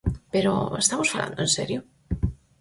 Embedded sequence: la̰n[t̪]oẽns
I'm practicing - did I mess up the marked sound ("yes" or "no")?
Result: yes